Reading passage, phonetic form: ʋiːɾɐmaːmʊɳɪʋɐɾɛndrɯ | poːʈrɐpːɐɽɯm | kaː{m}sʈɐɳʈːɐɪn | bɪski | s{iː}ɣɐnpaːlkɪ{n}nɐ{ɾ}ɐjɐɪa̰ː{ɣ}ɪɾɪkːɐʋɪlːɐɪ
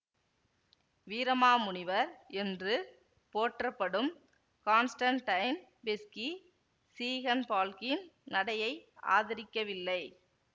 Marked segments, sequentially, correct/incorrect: incorrect: n, correct, correct, incorrect: ɽ, incorrect: ð

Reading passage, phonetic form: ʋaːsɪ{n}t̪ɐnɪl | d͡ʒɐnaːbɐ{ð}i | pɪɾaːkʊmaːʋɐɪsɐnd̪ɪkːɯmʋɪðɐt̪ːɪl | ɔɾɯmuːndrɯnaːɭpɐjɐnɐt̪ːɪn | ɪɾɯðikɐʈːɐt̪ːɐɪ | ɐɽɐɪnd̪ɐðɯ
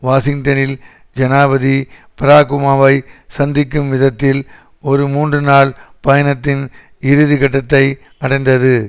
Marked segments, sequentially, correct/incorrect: incorrect: ŋ, correct

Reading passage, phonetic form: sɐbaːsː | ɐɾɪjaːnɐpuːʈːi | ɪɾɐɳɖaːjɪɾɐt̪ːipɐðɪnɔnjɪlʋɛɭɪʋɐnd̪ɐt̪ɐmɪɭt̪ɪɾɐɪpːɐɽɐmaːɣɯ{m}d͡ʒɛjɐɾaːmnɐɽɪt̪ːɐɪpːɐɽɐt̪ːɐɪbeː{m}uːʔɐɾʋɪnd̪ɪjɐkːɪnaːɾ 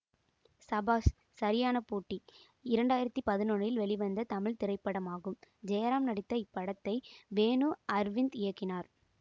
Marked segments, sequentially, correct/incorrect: correct, incorrect: n

